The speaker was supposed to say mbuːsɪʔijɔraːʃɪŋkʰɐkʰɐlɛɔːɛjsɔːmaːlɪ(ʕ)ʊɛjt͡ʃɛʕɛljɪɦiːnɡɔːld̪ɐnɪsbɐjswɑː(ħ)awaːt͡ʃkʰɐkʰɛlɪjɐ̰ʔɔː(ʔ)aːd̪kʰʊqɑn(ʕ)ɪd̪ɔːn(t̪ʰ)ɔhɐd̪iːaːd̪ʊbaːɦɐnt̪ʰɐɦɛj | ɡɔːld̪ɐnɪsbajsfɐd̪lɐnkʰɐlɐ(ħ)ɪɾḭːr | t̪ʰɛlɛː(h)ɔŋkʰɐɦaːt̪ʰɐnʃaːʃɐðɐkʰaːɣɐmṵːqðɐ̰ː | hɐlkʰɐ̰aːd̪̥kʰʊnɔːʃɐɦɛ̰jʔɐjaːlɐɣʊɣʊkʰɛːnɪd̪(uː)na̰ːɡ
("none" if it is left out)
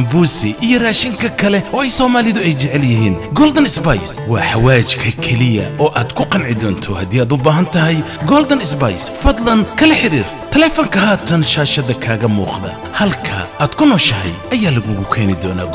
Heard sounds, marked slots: ð, ħ, ʔ, ʕ, t̪ʰ, ħ, f, ɔː

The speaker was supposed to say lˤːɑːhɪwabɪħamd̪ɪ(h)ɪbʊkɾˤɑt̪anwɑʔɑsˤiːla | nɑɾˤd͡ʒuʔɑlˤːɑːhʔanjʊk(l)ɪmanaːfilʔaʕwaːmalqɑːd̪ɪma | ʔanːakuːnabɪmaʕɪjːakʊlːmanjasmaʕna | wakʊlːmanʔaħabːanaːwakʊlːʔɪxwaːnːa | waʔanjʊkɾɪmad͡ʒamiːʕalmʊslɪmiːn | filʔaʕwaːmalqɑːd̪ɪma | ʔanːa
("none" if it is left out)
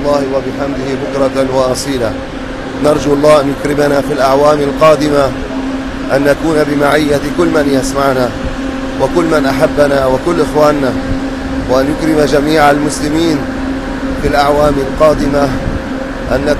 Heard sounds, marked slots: h, ɾ

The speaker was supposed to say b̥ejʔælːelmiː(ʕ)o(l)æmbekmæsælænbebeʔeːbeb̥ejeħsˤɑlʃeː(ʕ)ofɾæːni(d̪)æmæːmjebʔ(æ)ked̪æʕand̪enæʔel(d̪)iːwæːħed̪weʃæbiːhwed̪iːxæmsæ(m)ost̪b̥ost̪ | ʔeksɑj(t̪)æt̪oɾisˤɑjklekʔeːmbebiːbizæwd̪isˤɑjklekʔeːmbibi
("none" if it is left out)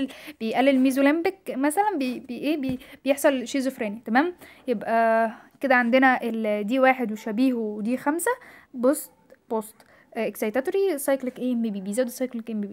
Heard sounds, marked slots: z, l, z, t̪, æ, d̪, b, t̪

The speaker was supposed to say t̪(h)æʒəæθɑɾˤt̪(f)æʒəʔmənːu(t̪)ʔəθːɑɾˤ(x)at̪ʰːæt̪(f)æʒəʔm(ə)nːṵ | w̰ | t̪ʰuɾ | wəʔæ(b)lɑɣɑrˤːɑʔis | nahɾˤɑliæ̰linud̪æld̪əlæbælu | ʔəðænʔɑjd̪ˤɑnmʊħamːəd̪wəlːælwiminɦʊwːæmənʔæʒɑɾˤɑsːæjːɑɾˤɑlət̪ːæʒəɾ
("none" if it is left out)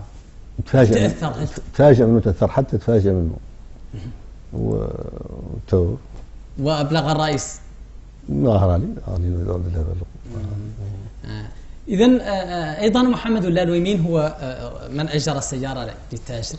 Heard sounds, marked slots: f, f, t̪, ħ, f, ə, b

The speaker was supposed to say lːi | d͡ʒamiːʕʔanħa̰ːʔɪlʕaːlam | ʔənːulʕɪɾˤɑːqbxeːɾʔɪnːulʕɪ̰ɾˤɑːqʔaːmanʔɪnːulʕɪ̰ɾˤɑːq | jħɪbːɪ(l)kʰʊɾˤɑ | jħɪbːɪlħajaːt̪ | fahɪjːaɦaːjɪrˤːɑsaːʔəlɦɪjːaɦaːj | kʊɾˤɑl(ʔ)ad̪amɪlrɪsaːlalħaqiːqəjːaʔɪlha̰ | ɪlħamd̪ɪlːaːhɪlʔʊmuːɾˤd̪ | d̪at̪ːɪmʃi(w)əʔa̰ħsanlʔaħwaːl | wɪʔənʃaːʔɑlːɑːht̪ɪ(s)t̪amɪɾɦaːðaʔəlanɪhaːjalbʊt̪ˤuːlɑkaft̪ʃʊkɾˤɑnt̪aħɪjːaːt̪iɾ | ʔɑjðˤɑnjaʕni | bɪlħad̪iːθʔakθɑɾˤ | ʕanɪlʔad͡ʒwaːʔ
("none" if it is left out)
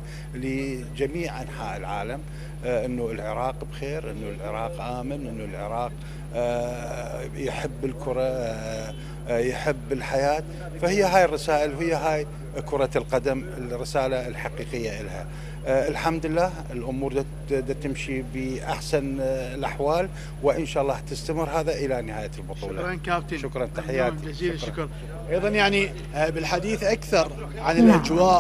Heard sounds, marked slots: l, q, b, s

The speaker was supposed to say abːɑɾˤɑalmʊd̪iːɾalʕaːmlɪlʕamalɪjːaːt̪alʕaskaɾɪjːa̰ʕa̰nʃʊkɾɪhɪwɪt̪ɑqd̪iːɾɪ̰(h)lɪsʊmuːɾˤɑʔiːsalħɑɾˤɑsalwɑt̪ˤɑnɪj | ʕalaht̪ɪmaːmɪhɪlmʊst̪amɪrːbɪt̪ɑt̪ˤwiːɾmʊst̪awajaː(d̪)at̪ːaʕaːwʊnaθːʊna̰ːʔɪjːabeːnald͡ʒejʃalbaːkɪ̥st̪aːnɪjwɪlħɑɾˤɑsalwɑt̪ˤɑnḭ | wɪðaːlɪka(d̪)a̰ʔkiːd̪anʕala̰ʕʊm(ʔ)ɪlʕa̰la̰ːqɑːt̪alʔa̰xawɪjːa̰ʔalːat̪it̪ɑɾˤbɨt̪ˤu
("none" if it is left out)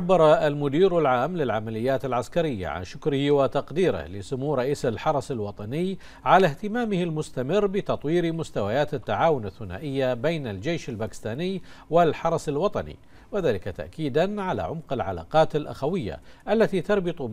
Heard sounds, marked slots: h, t̪, t̪, q

